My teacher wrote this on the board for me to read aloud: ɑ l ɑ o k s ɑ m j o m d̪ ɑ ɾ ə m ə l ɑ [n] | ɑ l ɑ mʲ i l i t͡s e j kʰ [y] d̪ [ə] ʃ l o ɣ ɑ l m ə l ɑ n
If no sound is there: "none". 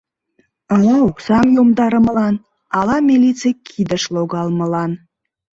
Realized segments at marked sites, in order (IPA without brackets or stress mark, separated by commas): n, i, ə